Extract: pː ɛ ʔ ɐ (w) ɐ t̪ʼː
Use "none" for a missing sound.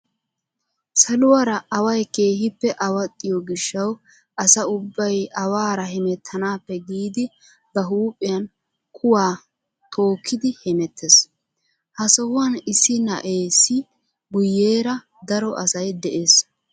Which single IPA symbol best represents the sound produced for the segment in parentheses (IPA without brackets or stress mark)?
w